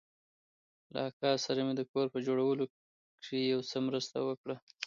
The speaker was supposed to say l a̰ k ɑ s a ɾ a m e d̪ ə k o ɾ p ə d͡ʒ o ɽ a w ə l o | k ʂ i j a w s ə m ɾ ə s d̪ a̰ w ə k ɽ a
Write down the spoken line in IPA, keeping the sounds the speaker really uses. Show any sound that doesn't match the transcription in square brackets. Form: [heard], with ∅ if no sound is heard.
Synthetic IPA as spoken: l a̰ k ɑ s a ɾ a m e d̪ ə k o ɾ p ə d͡ʒ o ɽ a w ə l o | k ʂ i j a w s ə m ɾ ə s [t̪] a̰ w ə k ɽ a